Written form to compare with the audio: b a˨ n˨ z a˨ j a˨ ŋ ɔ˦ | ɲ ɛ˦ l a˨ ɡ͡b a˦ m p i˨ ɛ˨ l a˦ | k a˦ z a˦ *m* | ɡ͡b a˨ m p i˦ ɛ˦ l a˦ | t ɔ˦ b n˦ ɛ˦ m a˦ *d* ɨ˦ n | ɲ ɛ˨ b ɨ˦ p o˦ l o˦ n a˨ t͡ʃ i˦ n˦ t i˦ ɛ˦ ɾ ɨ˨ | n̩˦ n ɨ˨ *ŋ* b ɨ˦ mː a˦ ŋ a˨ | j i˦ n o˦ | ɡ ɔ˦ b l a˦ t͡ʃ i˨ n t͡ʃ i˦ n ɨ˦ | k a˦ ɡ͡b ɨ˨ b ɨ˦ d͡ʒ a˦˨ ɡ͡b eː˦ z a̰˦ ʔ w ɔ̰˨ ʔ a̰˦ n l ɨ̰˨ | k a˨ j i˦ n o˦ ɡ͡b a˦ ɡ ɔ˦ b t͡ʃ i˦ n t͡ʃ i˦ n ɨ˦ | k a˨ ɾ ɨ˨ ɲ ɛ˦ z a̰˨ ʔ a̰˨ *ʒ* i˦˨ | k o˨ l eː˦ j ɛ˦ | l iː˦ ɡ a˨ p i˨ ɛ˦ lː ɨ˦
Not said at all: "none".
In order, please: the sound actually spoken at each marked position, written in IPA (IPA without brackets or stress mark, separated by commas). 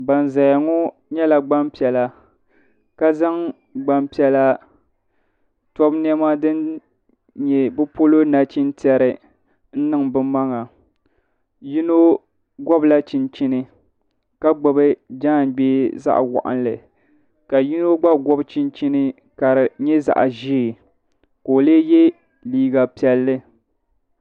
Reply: ŋ, d, ŋ, ʒ